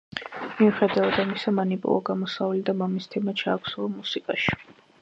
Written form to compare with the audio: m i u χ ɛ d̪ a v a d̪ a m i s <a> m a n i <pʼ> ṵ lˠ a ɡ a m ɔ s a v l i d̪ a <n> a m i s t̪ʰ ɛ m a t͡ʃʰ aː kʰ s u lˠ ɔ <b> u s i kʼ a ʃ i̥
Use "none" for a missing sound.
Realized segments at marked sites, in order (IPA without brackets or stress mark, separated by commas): a, pʼ, m, m